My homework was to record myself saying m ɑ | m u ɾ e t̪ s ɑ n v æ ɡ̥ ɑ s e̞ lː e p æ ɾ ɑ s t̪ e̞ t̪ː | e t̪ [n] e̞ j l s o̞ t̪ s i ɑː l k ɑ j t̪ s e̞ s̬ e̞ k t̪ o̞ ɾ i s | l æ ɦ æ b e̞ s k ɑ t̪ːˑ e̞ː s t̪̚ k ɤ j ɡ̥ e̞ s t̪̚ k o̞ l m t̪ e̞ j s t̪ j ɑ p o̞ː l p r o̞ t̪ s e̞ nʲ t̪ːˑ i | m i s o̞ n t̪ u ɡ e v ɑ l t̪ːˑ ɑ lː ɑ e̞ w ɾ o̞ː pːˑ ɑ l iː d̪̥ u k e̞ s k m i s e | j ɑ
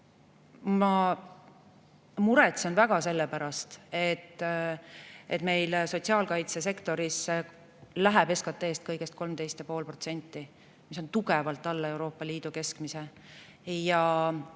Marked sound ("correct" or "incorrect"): incorrect